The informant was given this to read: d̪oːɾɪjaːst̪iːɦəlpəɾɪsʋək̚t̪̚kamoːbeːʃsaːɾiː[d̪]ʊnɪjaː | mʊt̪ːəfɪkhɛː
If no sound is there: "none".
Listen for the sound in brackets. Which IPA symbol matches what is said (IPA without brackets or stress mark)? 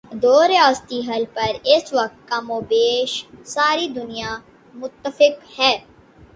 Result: d̪